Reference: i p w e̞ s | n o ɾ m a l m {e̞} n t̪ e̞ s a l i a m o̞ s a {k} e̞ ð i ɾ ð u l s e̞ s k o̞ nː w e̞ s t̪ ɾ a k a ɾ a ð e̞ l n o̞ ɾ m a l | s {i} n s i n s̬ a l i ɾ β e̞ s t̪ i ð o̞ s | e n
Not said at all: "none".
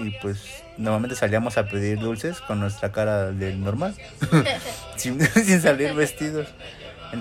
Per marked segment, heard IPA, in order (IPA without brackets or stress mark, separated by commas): e̞, p, i